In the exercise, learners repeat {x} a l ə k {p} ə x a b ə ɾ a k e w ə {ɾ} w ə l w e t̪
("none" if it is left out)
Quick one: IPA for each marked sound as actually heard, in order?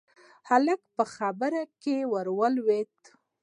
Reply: h, p, ɾ

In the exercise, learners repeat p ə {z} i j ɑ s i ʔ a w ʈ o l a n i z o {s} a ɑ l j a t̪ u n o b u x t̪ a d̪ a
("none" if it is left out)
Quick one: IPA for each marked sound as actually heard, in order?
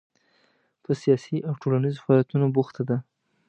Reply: s, f

